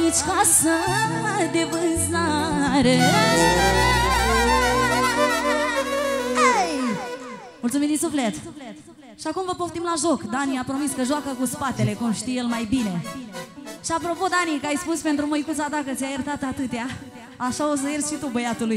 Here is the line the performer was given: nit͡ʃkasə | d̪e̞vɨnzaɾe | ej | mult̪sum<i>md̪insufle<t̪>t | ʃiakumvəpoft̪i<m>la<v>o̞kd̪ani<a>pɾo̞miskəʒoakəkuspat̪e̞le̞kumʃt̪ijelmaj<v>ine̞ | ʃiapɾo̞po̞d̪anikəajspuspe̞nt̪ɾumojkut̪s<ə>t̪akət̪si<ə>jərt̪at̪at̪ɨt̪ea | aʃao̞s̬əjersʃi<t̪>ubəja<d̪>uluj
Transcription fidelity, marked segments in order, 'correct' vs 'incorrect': correct, correct, correct, incorrect: ʒ, correct, incorrect: b, incorrect: a, incorrect: a, correct, incorrect: t̪

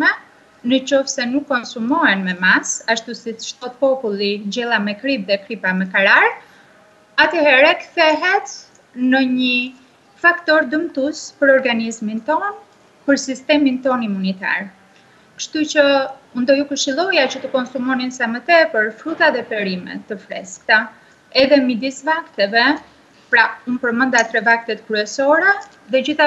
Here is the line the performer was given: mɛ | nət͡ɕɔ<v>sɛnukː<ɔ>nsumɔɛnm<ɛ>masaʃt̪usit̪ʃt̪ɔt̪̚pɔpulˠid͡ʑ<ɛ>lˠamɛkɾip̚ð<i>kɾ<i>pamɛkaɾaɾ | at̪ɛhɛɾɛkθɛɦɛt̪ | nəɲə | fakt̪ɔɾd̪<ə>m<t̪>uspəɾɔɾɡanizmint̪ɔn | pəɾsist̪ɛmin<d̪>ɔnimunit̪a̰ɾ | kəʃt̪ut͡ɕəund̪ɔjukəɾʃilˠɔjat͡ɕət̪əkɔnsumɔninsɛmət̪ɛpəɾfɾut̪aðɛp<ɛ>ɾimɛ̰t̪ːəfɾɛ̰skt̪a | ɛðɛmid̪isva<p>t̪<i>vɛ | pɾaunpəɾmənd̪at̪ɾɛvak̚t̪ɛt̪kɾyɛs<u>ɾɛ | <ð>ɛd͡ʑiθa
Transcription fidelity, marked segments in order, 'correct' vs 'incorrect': incorrect: f, correct, correct, correct, incorrect: ɛ, correct, correct, correct, incorrect: t̪, correct, incorrect: k, incorrect: ɛ, incorrect: ɔ, correct

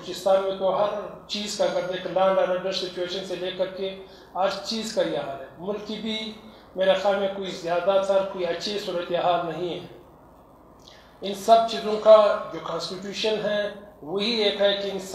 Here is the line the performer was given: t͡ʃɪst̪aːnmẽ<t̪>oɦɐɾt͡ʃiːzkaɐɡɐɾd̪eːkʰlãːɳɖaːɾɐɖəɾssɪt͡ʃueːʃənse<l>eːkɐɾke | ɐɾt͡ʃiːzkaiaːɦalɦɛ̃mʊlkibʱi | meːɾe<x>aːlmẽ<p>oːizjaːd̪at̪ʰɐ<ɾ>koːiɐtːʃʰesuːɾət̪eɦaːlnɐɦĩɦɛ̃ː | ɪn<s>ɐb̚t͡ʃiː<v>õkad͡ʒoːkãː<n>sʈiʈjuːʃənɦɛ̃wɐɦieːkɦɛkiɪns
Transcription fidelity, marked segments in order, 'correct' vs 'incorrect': correct, correct, correct, incorrect: k, correct, correct, incorrect: z, correct

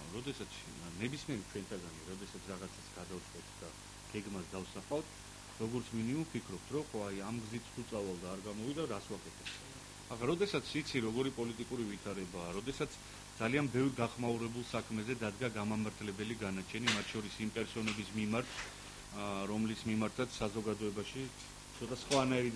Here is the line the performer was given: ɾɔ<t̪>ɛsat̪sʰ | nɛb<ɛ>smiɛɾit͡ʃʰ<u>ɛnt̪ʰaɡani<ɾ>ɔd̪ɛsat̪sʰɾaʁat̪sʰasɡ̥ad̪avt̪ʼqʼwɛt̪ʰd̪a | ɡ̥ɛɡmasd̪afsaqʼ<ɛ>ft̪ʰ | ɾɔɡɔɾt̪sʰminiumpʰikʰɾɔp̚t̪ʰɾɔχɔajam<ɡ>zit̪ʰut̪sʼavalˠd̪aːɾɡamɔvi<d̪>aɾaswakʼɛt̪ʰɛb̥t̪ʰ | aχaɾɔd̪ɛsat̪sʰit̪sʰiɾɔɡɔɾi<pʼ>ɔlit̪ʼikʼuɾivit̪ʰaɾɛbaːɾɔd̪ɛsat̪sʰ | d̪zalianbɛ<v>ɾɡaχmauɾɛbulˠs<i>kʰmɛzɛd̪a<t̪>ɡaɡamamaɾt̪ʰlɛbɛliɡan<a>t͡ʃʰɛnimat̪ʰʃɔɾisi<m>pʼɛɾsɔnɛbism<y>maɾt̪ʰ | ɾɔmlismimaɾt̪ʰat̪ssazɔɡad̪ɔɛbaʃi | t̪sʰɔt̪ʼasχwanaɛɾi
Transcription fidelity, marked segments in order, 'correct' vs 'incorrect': incorrect: d̪, incorrect: i, incorrect: w, correct, incorrect: a, correct, correct, correct, correct, incorrect: a, incorrect: d̪, correct, correct, incorrect: i

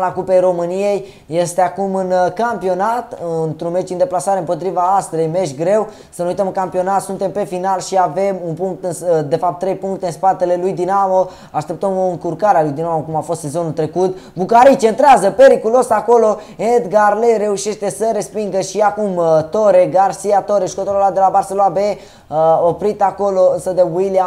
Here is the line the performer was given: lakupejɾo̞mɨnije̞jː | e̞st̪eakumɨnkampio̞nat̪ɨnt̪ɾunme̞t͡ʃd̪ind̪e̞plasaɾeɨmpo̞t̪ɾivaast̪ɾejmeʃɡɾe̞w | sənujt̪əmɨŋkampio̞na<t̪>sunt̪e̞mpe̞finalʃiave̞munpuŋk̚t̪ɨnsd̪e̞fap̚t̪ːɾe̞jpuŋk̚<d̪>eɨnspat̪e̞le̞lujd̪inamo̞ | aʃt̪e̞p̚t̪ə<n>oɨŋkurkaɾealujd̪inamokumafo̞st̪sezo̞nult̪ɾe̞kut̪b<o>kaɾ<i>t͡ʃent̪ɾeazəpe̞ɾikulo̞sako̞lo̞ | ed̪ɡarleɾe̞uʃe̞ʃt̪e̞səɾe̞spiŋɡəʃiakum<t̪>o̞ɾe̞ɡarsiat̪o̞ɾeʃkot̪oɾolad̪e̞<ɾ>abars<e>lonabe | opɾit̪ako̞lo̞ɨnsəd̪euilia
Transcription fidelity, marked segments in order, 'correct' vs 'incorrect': correct, incorrect: t̪, incorrect: m, incorrect: u, correct, correct, incorrect: l, correct

